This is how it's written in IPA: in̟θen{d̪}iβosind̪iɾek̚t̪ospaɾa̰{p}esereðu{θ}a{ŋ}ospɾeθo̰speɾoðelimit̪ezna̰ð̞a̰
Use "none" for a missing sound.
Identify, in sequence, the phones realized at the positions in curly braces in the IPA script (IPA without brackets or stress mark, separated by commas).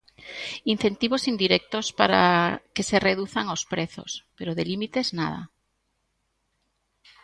t̪, k, θ, ŋ